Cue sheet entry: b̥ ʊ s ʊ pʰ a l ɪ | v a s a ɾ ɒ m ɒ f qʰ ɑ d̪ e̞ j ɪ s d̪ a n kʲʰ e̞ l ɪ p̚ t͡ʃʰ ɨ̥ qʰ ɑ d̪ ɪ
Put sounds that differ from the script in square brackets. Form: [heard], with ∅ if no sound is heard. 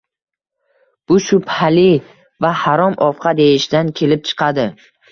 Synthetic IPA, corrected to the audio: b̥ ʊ [ʃ] ʊ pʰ a l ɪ | v a [h] a ɾ ɒ m ɒ f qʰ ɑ d̪ e̞ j ɪ [ʃ] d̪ a n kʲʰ e̞ l ɪ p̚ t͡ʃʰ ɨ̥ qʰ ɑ d̪ ɪ

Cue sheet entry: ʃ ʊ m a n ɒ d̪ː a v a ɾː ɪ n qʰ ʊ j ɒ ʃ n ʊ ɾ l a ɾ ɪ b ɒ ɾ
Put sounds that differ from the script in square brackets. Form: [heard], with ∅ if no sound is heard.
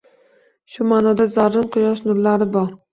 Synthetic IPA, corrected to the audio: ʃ ʊ m a n ɒ [d̪] a [z] a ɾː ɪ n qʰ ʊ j ɒ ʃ n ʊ ɾ l a ɾ ɪ b ɒ ɾ

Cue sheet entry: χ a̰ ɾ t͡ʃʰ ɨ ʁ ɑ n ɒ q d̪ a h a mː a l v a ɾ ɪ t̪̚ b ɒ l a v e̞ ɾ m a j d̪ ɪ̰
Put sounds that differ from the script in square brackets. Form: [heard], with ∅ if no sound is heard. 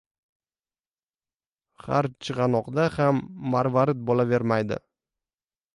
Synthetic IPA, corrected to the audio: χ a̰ ɾ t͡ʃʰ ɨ ʁ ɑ n ɒ q d̪ a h a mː a [ɾ] v a ɾ ɪ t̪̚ b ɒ l a v e̞ ɾ m a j d̪ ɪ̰

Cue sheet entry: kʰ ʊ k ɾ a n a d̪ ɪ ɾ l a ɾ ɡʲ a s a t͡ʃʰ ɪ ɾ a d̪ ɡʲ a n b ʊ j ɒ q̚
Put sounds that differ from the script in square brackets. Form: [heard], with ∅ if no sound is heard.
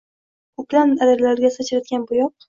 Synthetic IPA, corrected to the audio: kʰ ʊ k [l] a n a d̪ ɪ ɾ l a ɾ ɡʲ a s a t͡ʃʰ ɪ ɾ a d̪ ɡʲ a n b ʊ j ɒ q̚

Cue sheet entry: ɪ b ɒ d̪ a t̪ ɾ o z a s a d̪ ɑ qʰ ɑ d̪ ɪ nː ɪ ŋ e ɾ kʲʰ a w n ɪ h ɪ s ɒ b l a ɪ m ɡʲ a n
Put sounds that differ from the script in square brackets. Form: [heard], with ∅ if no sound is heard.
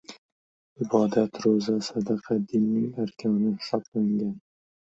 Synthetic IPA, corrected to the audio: ɪ b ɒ d̪ a t̪ ɾ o z a s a d̪ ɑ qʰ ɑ d̪ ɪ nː ɪ ŋ [a] ɾ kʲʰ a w n ɪ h ɪ s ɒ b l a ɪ [ŋ] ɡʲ a n

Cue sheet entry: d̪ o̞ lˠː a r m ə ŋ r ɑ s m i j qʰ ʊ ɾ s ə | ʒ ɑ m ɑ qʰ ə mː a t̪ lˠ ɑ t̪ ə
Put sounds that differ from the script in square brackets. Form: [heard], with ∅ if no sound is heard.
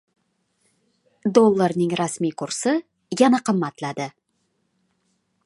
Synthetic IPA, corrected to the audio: d̪ o̞ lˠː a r [n] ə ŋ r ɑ s m i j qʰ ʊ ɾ s ə | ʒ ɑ [n] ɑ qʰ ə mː [ɑ] t̪ lˠ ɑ [d̪] ə

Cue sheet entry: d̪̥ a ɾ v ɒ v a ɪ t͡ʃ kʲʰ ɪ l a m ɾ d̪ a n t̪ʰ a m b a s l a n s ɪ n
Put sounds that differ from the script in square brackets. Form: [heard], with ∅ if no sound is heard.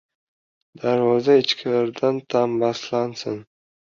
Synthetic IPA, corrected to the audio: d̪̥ a ɾ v ɒ [z] a ɪ t͡ʃ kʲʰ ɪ l a [∅] ɾ d̪ a n t̪ʰ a m b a s l a n s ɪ n

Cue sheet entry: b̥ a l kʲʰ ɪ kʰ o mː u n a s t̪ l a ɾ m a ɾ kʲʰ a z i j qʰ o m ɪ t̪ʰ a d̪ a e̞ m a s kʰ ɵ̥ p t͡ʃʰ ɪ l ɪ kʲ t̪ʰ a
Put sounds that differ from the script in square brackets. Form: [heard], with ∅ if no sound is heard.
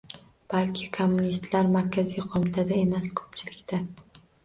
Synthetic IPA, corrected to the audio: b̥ a l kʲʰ ɪ kʰ o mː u n [i] s t̪ l a ɾ m a ɾ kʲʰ a z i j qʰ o m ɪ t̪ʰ a d̪ a e̞ m a s kʰ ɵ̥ p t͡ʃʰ ɪ l ɪ kʲ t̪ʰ a

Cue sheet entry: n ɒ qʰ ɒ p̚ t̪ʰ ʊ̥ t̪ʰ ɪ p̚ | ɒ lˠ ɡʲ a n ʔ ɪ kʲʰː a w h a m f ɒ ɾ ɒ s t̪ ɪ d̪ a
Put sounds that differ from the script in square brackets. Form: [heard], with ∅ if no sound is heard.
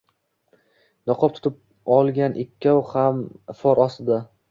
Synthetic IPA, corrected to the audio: n ɒ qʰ ɒ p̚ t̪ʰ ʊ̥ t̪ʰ ɪ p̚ | ɒ lˠ ɡʲ a n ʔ ɪ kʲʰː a w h a m f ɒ ɾ ɒ s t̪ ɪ d̪ a

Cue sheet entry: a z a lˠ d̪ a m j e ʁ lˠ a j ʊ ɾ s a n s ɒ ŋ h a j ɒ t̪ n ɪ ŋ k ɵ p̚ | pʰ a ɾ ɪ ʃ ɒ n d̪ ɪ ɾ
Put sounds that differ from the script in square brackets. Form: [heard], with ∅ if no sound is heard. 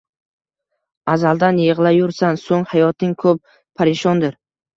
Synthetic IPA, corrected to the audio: a z a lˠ d̪ a [n] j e ʁ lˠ a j ʊ ɾ s a n s [o] ŋ h a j ɒ t̪ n ɪ ŋ [kʰ] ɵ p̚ | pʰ a ɾ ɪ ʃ ɒ n d̪ ɪ ɾ

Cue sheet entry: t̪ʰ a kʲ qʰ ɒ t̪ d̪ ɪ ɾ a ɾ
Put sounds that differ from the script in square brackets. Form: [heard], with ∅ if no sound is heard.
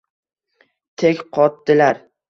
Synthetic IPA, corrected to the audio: t̪ʰ [e] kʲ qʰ ɒ t̪ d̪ ɪ [l] a ɾ

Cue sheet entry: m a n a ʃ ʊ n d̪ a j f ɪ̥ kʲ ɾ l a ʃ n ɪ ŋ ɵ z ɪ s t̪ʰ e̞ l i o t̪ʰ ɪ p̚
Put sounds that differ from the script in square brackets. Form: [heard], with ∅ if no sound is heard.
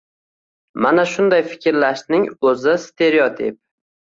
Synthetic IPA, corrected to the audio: m a n a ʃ ʊ n d̪ a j f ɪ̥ kʲ ɾ l a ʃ n ɪ ŋ ɵ z ɪ s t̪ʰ e̞ [ɾ] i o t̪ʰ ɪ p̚

